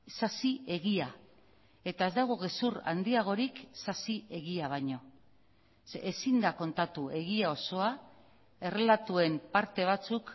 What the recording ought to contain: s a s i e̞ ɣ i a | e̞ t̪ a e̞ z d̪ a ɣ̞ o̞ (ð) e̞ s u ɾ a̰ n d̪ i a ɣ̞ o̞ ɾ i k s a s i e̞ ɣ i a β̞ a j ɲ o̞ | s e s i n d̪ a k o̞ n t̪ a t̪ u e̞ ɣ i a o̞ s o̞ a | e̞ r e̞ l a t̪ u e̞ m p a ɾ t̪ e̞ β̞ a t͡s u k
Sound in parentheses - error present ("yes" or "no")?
yes